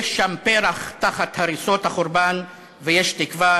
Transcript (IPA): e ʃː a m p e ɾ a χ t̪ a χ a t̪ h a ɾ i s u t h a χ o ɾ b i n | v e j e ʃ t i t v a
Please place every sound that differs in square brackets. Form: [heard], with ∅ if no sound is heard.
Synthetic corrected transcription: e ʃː a m p e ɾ a χ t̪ a χ a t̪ h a ɾ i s [o] t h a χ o ɾ b [a] n | v e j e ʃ t i [k] v a